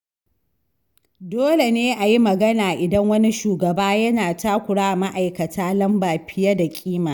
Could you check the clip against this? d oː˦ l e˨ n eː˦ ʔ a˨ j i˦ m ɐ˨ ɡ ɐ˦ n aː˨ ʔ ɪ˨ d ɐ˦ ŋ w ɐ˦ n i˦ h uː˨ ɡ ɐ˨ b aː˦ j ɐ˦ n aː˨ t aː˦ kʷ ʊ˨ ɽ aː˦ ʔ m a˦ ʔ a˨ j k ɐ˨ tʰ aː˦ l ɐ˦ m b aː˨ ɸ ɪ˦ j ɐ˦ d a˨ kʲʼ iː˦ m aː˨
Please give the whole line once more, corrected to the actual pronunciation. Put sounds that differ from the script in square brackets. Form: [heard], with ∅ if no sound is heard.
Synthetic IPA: d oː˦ l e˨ n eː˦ ʔ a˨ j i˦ m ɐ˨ ɡ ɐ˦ n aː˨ ʔ ɪ˨ d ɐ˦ ŋ w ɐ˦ n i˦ [ʃ] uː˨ ɡ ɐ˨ b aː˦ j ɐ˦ n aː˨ t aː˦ kʷ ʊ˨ ɽ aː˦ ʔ m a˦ ʔ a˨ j k ɐ˨ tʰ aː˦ l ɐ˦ m b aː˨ ɸ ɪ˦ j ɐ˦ d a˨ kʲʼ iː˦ m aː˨